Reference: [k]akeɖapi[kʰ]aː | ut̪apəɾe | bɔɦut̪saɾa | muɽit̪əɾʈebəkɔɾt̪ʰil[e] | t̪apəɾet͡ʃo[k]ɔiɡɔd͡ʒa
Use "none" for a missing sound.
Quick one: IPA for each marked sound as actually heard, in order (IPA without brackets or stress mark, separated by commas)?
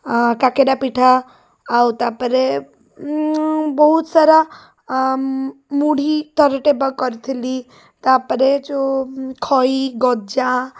k, ʈʰ, i, kʰ